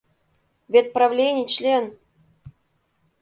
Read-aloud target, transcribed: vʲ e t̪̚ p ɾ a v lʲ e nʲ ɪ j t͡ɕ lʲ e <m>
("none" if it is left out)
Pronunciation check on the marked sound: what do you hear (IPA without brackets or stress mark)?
n